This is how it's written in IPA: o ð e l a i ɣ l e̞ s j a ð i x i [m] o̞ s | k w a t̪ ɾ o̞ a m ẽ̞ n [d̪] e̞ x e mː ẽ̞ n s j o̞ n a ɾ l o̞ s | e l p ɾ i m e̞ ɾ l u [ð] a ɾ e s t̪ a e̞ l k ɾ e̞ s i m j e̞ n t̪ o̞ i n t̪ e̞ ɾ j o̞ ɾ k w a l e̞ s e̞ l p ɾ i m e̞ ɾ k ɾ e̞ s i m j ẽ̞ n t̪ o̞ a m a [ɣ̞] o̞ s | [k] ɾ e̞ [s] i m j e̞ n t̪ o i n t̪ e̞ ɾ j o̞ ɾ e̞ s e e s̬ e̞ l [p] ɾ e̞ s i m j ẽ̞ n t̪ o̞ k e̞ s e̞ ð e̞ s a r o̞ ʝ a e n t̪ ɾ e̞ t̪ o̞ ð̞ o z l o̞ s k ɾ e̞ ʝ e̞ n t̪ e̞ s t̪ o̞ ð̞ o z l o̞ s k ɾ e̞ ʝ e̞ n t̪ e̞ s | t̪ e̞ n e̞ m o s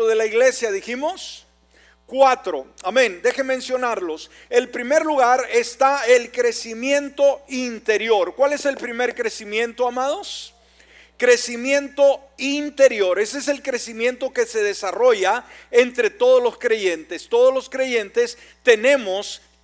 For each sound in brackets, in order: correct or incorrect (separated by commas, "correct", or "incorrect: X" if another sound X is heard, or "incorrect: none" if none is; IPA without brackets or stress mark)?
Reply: correct, correct, incorrect: ɣ, incorrect: ð̞, correct, correct, incorrect: k